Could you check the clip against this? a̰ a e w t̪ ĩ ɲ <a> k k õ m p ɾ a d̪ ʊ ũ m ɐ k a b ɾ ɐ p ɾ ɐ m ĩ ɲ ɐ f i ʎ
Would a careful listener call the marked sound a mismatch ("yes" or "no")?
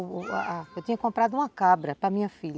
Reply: yes